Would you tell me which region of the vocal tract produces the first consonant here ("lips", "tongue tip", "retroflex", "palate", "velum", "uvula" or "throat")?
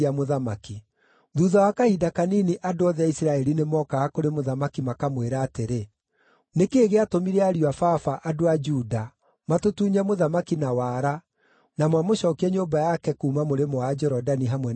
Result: lips